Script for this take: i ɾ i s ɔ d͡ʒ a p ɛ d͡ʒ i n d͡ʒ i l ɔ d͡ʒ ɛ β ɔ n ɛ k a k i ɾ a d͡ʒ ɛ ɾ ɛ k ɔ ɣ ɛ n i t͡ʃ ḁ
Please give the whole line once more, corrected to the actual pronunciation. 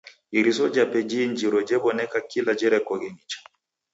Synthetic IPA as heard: i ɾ i s ɔ d͡ʒ a p ɛ d͡ʒ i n d͡ʒ i ɾ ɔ d͡ʒ ɛ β ɔ n ɛ k a k i l a d͡ʒ ɛ ɾ ɛ k ɔ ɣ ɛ n i t͡ʃ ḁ